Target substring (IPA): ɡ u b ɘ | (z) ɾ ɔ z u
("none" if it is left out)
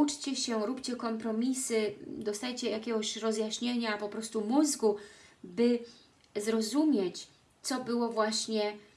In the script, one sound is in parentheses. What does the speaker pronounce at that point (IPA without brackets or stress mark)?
z